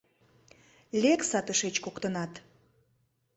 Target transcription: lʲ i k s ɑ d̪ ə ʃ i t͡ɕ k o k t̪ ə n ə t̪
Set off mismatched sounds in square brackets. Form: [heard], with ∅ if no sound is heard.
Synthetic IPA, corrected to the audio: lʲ [e] k s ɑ [t̪] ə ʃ [e] t͡ɕ k o k t̪ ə n [ɑ] t̪